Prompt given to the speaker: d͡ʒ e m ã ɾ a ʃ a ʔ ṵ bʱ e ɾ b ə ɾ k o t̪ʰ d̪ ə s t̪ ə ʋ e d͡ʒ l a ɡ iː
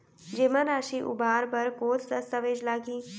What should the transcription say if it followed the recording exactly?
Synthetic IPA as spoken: d͡ʒ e m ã ɾ a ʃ i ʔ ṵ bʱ a ɾ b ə ɾ k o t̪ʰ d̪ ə s t̪ ə ʋ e d͡ʒ l a ɡ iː